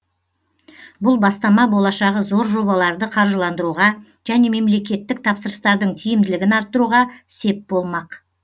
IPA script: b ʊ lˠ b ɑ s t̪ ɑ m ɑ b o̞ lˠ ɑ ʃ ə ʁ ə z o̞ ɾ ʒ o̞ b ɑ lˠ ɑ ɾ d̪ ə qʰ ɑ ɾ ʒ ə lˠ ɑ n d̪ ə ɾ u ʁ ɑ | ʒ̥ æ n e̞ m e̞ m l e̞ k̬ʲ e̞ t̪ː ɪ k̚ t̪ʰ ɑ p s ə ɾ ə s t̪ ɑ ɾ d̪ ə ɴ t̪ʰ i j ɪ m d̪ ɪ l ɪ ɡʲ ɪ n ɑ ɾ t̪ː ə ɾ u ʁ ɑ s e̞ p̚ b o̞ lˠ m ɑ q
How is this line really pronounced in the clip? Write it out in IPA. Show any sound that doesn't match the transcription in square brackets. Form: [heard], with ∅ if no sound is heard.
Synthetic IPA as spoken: b ʊ lˠ b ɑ s t̪ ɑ m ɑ b o̞ lˠ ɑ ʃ [ɑ] ʁ ə z o̞ ɾ ʒ o̞ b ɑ lˠ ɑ ɾ d̪ ə qʰ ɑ ɾ ʒ ə lˠ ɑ n d̪ ə ɾ u ʁ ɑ | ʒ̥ æ n e̞ m e̞ m l e̞ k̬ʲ e̞ t̪ː ɪ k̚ t̪ʰ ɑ p s ə ɾ ə s t̪ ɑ ɾ d̪ ə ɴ t̪ʰ i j ɪ m d̪ ɪ l ɪ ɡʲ ɪ n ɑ ɾ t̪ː ə ɾ u ʁ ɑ s e̞ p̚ b o̞ lˠ m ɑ q